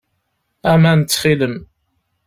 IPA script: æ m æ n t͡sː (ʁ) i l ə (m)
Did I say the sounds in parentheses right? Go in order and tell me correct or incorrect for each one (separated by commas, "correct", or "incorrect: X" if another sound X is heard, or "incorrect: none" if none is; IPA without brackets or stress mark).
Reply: incorrect: χ, correct